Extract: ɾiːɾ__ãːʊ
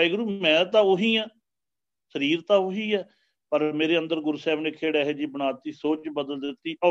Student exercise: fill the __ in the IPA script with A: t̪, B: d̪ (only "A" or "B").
A